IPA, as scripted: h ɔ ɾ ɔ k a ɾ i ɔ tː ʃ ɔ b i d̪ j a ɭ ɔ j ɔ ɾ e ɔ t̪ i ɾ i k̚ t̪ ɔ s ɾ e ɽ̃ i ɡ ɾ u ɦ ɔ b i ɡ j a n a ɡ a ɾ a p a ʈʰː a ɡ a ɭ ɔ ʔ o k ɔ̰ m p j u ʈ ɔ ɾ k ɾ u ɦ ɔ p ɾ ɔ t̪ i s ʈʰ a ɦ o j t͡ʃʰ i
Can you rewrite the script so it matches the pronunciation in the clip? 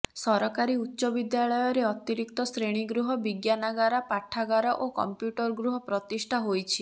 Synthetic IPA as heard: s ɔ ɾ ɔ k a ɾ i u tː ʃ ɔ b i d̪ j a ɭ ɔ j ɔ ɾ e ɔ t̪ i ɾ i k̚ t̪ ɔ s ɾ e ɽ̃ i ɡ ɾ u ɦ ɔ b i ɡ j a n a ɡ a ɾ a p a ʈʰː a ɡ a ɾ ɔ ʔ o k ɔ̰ m p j u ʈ ɔ ɾ ɡ ɾ u ɦ ɔ p ɾ ɔ t̪ i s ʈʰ a ɦ o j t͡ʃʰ i